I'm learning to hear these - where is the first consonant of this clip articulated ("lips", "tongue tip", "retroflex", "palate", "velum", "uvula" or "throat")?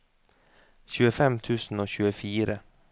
palate